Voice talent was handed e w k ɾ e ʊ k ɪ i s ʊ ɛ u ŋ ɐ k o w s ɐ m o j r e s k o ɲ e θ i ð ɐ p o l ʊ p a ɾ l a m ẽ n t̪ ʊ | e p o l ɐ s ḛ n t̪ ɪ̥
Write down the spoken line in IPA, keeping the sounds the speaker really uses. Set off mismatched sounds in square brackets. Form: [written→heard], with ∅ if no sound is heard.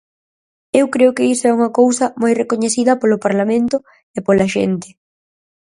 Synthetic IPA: e w k ɾ e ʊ k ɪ i s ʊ ɛ u ŋ ɐ k o w s ɐ m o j r e [s→∅] k o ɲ e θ i ð ɐ p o l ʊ p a ɾ l a m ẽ n t̪ ʊ | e p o l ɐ [s→ʃ] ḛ n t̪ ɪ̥